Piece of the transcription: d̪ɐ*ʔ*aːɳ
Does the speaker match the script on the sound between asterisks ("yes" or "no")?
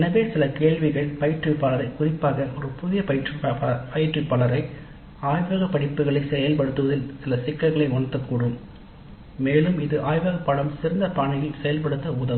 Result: no